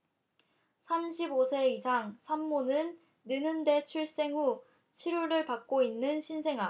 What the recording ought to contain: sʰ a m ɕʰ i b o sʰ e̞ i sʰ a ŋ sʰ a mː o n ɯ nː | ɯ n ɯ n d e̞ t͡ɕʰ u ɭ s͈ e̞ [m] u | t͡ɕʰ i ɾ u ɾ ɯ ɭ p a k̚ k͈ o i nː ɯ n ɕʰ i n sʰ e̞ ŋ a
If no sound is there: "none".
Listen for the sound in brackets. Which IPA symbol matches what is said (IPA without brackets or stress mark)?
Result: ŋ